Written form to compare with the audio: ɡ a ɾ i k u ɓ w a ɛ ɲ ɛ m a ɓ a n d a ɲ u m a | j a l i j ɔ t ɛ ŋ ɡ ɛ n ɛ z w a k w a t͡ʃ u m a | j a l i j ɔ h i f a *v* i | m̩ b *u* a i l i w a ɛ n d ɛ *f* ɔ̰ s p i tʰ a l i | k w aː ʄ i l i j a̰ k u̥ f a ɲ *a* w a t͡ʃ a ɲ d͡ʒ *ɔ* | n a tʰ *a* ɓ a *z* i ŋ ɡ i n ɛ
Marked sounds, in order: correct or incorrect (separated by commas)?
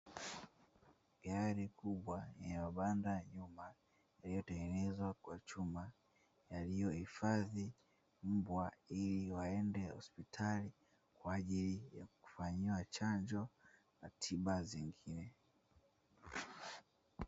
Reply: incorrect, incorrect, incorrect, incorrect, correct, incorrect, correct